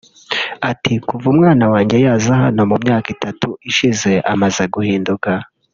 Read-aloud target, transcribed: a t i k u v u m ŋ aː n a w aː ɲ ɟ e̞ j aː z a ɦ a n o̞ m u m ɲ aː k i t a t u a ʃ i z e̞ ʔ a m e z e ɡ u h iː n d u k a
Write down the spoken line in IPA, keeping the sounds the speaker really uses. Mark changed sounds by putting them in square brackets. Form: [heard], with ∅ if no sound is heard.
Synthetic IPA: a t i k u v u m ŋ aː n a w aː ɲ ɟ e̞ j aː z a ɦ a n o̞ m u m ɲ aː k i t a t u [i] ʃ i z e̞ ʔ a m [a] z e ɡ u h iː n d u k a